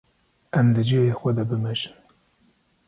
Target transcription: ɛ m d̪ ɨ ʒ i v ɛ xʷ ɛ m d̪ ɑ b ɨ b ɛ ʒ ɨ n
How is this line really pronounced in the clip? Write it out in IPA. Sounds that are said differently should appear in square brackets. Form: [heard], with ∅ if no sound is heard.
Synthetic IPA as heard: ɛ m d̪ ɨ [d͡ʒ] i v [e] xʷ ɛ [∅] d̪ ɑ b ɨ [m] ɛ ʒ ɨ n